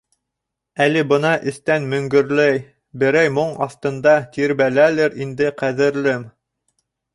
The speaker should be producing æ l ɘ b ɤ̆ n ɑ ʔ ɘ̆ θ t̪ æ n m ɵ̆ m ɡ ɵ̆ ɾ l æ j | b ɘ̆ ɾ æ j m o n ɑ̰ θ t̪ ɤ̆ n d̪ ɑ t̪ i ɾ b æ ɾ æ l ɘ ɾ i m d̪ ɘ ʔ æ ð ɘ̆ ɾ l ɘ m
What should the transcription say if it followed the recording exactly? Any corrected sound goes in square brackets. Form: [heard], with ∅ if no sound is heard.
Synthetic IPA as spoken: æ l ɘ b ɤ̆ n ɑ ʔ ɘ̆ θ t̪ æ n m ɵ̆ [ŋ] ɡ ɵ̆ ɾ l æ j | b ɘ̆ ɾ æ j m o [ɴ] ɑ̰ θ t̪ ɤ̆ n d̪ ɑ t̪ i ɾ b æ [l] æ l ɘ ɾ i [n] d̪ ɘ [q] æ ð ɘ̆ ɾ l ɘ m